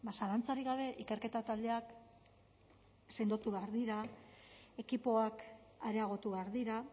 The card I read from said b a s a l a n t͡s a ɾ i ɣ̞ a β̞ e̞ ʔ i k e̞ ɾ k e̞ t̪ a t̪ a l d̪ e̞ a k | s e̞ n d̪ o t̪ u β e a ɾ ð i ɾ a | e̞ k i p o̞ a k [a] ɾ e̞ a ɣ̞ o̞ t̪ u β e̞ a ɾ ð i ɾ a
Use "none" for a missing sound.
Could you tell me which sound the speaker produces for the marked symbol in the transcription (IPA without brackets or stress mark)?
a